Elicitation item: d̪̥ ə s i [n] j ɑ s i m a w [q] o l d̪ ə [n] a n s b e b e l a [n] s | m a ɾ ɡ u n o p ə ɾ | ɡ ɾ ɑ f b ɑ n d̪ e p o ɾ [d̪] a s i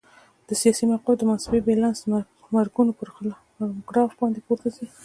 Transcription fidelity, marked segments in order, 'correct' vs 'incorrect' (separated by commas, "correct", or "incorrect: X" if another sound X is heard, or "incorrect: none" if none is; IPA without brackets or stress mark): incorrect: none, correct, incorrect: m, correct, incorrect: t̪